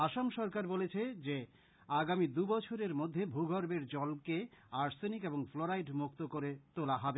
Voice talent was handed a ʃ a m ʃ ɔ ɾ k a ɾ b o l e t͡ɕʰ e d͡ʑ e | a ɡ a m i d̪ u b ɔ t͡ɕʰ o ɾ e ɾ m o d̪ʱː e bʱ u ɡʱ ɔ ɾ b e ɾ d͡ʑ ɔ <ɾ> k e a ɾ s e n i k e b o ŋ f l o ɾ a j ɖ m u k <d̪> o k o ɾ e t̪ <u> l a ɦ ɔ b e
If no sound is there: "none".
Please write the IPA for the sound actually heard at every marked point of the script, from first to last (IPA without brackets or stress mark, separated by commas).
l, t̪, o